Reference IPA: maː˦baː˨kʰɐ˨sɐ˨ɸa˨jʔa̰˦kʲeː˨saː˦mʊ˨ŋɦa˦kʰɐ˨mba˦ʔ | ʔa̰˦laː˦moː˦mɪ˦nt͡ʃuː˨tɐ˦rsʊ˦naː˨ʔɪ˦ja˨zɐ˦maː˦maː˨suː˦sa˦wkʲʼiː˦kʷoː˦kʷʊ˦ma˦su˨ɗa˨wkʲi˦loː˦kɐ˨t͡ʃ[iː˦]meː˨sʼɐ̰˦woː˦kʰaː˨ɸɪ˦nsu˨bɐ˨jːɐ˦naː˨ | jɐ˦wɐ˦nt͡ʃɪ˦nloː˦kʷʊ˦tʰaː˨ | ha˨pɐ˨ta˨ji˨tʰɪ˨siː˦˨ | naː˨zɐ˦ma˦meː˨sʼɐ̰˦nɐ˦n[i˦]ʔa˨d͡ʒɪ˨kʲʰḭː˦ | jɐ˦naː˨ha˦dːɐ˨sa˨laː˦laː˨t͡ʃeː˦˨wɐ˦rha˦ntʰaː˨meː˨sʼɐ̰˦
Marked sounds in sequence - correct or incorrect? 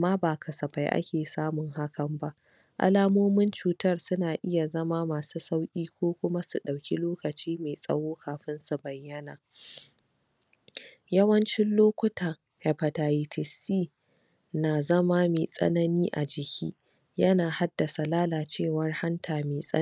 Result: correct, incorrect

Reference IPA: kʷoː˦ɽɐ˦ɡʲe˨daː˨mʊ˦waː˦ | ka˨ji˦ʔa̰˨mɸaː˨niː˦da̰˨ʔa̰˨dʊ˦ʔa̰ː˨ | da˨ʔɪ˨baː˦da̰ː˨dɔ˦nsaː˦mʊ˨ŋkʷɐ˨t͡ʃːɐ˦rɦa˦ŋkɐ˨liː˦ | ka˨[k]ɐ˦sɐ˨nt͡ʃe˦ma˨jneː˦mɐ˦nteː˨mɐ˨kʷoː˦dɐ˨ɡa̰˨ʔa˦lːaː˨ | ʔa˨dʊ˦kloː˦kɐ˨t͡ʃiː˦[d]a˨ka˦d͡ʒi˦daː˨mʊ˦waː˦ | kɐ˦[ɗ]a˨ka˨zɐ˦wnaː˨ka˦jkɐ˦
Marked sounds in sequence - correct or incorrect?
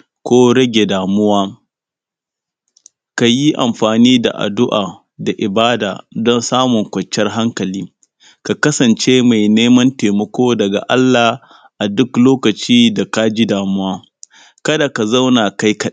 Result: correct, correct, incorrect

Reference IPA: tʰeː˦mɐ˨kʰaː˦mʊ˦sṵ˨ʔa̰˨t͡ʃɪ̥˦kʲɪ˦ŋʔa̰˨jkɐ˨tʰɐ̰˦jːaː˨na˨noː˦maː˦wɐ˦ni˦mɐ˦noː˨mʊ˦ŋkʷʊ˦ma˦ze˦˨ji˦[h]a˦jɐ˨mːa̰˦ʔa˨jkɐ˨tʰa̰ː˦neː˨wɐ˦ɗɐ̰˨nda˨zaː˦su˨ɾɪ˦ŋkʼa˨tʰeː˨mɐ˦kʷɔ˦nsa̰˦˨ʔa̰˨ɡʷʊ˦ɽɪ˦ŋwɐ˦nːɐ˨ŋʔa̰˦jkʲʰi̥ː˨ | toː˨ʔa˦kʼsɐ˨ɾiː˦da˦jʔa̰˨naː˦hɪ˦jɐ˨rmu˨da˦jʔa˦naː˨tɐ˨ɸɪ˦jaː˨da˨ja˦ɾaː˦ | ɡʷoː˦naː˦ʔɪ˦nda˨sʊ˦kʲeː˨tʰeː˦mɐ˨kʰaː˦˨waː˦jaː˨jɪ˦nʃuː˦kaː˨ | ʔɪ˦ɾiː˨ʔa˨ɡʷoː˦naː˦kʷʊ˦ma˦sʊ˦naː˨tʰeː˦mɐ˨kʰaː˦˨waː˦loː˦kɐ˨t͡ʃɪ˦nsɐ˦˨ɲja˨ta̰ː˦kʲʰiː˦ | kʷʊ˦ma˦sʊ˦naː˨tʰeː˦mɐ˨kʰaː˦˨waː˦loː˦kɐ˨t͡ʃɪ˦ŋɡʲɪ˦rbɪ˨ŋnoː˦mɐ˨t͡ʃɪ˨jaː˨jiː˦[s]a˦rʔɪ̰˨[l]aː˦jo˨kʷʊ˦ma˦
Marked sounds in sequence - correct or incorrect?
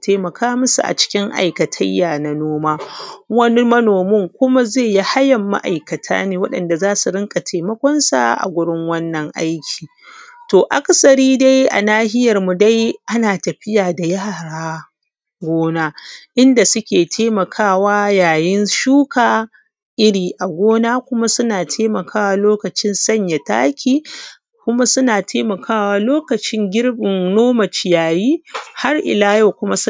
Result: correct, incorrect, correct

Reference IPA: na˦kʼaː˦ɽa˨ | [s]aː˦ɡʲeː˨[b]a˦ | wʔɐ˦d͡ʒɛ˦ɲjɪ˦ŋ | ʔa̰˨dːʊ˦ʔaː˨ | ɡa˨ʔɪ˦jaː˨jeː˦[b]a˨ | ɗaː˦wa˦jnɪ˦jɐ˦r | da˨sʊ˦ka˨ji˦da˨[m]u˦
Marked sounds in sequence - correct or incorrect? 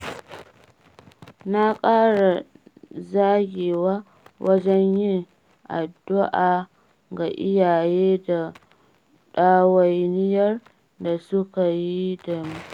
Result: incorrect, incorrect, incorrect, correct

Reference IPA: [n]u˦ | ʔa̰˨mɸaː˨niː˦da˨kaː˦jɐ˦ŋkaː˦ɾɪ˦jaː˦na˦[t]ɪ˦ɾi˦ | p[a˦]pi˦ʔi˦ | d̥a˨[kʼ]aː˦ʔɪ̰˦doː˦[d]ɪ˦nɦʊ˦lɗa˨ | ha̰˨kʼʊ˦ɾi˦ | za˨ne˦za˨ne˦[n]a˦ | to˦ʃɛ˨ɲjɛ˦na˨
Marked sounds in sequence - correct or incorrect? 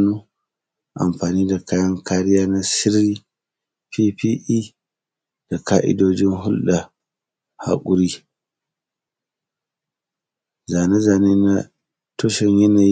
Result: correct, incorrect, incorrect, incorrect, incorrect, correct

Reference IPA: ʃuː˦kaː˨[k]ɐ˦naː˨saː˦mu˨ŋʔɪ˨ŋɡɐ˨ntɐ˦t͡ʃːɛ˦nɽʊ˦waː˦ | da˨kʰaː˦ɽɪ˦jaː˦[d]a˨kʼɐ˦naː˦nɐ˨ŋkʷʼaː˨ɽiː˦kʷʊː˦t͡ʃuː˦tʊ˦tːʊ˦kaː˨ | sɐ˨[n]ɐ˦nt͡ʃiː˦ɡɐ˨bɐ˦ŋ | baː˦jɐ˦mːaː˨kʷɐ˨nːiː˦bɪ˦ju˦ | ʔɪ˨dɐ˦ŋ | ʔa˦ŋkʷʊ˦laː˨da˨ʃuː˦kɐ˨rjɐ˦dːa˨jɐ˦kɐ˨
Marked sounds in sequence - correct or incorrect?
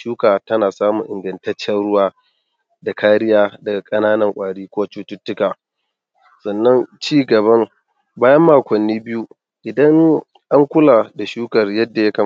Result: incorrect, correct, incorrect

